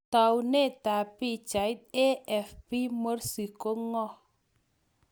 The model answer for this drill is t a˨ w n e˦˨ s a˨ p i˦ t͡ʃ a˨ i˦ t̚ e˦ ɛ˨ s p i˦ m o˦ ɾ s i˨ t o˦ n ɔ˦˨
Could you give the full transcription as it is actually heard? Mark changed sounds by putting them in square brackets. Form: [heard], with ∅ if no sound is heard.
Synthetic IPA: t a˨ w n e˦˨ [t] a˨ p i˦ t͡ʃ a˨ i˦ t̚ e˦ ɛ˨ [f] p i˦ m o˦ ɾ s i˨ [k] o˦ [ŋ] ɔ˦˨